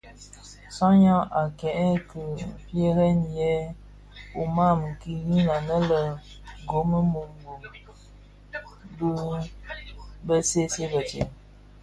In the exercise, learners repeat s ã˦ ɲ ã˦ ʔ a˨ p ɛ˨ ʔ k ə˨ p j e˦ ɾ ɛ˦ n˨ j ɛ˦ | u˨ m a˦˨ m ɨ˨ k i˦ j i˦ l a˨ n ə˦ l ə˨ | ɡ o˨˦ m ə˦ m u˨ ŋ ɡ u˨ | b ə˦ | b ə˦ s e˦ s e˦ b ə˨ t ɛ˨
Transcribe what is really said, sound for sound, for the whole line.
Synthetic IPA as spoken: s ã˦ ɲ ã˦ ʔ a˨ k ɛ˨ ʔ k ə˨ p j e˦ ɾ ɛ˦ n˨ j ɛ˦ | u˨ m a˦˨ m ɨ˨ k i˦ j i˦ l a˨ n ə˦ l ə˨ | ɡ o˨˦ m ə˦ m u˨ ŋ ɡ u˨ | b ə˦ | b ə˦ s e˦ s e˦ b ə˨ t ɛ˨